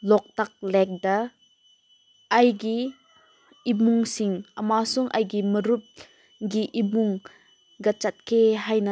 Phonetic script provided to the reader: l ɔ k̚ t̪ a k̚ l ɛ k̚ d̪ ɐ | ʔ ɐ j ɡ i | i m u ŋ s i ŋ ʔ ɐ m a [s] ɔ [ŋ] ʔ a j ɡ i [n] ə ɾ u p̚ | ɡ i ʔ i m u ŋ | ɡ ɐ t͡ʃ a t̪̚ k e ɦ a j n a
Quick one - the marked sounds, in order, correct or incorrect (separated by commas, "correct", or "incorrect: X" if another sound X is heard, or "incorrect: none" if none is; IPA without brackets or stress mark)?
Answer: correct, correct, incorrect: m